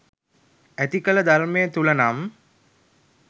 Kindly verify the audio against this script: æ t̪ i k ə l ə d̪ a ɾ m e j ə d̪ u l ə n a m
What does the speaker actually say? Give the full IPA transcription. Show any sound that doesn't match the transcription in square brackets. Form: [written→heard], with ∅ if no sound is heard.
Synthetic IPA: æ t̪ i k ə l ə d̪ a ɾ m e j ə [d̪→t̪] u l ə n a m